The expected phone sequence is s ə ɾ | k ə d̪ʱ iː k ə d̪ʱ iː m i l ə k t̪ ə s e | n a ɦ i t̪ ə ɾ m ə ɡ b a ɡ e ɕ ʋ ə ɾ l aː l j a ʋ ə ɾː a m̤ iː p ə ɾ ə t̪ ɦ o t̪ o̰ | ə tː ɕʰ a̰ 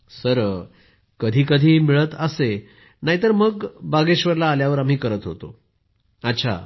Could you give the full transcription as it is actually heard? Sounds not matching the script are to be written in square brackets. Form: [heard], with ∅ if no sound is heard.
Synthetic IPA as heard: s ə ɾ | k ə d̪ʱ iː k ə d̪ʱ iː m i [ɭ] ə [∅] t̪ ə s e | n a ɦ i t̪ ə ɾ m ə ɡ b a ɡ e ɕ ʋ ə ɾ l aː l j a ʋ ə [ɾ] a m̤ iː [k] ə ɾ ə t̪ ɦ o t̪ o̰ | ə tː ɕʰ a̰